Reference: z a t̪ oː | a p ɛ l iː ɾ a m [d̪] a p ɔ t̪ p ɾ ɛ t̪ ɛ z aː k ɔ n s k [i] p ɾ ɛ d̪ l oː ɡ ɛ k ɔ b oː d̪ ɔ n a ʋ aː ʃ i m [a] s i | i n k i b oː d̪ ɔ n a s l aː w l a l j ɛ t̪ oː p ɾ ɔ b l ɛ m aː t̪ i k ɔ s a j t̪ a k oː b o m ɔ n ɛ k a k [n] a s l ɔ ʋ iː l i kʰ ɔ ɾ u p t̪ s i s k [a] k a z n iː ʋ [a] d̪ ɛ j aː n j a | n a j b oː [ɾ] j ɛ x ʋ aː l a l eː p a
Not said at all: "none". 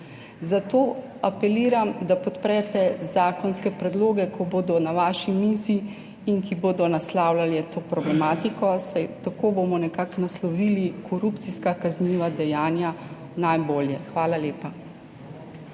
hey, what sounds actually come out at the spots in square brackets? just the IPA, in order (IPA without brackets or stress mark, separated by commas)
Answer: d̪, ɛ, i, n, a, a, l